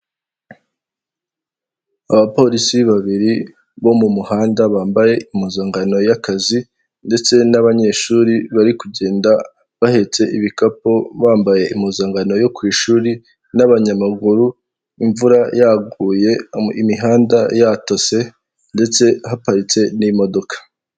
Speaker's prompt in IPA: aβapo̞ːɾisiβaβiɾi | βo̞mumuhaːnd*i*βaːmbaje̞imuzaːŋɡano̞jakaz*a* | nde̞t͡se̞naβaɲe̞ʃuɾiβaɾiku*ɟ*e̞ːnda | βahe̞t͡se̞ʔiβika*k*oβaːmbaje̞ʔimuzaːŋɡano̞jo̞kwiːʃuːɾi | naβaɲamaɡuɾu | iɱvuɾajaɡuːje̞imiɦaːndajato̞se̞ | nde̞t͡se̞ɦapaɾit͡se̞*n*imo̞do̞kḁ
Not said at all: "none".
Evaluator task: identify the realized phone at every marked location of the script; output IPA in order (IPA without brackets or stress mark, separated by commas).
a, i, ɟ, p, n